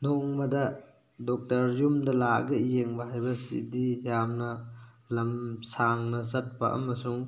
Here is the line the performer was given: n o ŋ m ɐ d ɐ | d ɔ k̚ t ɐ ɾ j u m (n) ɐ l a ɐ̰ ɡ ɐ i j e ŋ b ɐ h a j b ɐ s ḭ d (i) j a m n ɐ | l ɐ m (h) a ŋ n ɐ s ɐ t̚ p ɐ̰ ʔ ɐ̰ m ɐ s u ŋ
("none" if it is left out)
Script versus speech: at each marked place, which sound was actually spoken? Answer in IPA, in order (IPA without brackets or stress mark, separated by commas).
d, i, s